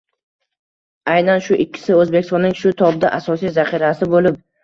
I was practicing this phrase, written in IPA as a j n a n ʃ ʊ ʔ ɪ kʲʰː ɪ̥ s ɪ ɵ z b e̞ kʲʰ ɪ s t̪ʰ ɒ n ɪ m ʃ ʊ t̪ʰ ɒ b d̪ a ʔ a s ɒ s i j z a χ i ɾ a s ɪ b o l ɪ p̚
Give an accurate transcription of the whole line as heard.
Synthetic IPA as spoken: a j n a n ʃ ʊ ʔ ɪ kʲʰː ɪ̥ s ɪ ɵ z b e̞ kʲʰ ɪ s t̪ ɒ n ɪ ŋ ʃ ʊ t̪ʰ ɒ b d̪ a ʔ a s ɒ s i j z a χ i ɾ a s ɪ b o l ɪ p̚

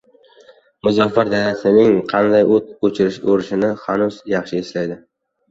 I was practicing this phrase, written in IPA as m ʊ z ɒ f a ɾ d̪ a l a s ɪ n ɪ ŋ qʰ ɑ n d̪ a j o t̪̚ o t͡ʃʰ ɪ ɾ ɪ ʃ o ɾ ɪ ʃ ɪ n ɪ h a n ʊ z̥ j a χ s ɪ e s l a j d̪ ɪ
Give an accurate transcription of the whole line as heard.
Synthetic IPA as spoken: m ʊ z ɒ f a ɾ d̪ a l a s ɪ n ɪ ŋ qʰ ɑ n d̪ a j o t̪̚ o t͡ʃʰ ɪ ɾ ɪ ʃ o ɾ ɪ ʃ ɪ n ɪ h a n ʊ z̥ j ɑ χ ʃ ɪ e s l a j d̪ ɪ

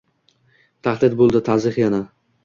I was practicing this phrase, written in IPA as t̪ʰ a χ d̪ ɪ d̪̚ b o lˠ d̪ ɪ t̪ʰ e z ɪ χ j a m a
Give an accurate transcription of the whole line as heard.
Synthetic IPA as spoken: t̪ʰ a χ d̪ ɪ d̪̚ b o lˠ d̪ ɪ t̪ʰ a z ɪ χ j a n a

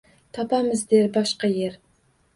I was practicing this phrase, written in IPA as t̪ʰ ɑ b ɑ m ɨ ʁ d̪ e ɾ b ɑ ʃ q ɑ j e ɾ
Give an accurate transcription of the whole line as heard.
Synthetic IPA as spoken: t̪ʰ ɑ p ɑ m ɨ z d̪ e ɾ b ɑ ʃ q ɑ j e ɾ

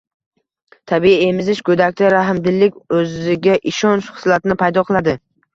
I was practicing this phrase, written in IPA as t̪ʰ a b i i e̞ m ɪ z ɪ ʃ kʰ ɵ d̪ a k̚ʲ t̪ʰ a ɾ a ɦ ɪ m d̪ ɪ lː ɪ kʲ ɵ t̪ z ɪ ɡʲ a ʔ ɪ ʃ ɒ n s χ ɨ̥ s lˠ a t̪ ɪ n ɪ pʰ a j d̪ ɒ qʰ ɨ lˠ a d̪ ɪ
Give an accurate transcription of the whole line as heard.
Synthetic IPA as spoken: t̪ʰ a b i i e̞ m ɪ z ɪ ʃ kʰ ɵ d̪ a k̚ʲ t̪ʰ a ɾ a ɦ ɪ m d̪ ɪ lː ɪ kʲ ɵ z ɪ ɡʲ a ʔ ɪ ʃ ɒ n ʃ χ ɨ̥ s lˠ a t̪ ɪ n ɪ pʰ a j d̪ ɒ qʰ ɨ lˠ a d̪ ɪ

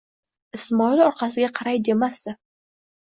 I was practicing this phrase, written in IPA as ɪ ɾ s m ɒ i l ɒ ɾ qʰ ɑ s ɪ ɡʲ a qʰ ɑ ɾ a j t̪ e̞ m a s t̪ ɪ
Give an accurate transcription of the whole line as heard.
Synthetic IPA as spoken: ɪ s m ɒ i l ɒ ɾ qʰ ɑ s ɪ ɡʲ a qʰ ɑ ɾ a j d̪ e̞ m a s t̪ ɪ

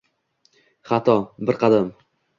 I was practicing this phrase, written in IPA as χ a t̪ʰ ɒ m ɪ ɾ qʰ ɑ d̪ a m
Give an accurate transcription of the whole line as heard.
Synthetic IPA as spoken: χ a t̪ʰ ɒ b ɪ ɾ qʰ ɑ d̪ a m

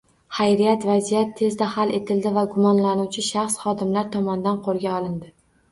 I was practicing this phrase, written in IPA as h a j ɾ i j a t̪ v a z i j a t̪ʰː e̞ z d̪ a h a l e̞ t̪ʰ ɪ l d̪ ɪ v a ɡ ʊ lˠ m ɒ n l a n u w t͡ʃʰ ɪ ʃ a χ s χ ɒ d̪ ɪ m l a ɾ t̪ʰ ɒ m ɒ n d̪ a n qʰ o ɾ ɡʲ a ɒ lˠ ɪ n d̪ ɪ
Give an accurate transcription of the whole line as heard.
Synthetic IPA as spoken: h a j ɾ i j a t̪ v a z i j a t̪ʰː e̞ z d̪ a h a l e̞ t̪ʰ ɪ l d̪ ɪ v a ɡ ʊ m ɒ n l a n u w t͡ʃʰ ɪ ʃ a χ s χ ɒ d̪ ɪ m l a ɾ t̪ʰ ɒ m ɒ n d̪ a n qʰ o ɾ ɡʲ a ɒ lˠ ɪ n d̪ ɪ

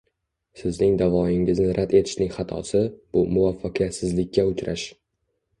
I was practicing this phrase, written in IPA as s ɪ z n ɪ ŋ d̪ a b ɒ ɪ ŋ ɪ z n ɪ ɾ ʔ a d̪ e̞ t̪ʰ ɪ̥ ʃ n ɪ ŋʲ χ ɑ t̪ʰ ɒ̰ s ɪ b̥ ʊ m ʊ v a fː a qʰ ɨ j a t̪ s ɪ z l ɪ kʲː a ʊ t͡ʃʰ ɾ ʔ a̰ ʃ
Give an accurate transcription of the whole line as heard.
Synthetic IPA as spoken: s ɪ z n ɪ ŋ d̪ a v ɒ ɪ ŋ ɪ z n ɪ ɾ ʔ a d̪ e̞ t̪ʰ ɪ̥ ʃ n ɪ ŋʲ χ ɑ t̪ʰ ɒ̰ s ɪ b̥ ʊ m ʊ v a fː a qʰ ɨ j a t̪ s ɪ z l ɪ kʲː a ʊ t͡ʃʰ ɾ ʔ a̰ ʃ

